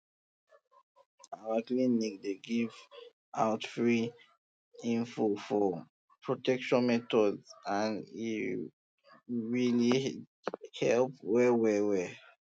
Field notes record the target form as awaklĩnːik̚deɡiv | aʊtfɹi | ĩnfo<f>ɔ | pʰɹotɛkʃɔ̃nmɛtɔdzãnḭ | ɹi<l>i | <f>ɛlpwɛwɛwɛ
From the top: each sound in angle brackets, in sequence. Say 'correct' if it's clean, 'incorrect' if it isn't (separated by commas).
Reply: correct, correct, incorrect